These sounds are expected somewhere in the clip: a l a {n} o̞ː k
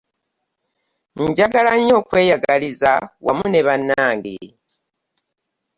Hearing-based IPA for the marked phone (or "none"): ɲ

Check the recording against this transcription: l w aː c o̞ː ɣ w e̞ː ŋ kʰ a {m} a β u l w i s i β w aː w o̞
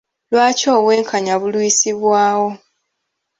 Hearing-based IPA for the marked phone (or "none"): ɲ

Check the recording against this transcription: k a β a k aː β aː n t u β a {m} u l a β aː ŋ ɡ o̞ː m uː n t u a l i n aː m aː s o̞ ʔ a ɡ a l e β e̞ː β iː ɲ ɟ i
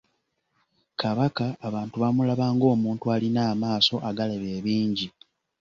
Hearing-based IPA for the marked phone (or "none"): m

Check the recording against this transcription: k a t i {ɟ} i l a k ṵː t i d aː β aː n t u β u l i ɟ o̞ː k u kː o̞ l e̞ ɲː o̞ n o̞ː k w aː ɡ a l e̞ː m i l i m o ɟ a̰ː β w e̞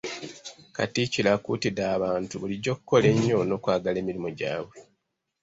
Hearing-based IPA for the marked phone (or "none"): c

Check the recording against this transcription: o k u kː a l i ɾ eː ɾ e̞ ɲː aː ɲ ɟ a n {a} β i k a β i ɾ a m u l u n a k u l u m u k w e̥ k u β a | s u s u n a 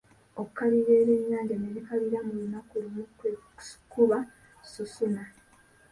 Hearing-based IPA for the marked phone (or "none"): e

